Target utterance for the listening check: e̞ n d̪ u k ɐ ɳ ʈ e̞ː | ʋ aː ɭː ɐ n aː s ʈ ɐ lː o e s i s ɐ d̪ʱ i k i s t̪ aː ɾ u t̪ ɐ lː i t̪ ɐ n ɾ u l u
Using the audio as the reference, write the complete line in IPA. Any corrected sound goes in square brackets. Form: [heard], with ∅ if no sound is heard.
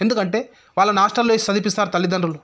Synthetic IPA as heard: e̞ n d̪ u k ɐ ɳ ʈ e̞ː | ʋ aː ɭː ɐ n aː [ʂ] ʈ ɐ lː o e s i s ɐ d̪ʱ i [p] i s t̪ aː ɾ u t̪ ɐ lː i [d̪] ɐ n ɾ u l u